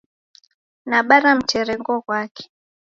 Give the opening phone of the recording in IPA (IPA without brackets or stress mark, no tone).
n